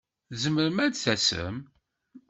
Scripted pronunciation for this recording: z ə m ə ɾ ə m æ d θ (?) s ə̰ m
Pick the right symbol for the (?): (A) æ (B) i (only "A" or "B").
A